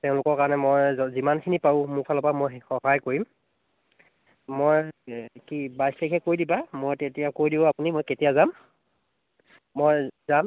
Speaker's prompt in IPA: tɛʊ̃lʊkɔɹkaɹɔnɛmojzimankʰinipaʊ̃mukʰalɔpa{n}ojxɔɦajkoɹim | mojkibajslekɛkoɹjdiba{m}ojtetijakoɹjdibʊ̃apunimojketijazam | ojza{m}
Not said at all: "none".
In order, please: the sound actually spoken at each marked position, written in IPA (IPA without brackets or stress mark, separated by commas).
m, m, m